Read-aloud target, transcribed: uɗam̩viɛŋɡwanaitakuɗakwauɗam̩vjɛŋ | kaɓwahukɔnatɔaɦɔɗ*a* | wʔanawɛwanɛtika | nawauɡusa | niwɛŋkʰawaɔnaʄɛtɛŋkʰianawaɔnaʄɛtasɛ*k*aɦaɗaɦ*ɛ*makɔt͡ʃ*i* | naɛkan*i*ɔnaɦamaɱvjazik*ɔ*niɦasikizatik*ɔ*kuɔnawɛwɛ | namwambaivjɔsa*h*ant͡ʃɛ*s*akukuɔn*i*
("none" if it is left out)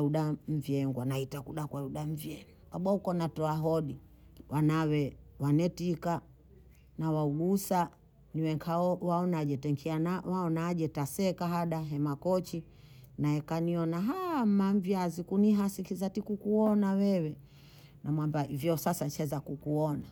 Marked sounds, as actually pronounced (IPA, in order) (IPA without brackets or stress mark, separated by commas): i, k, ɛ, i, i, u, u, s, z, a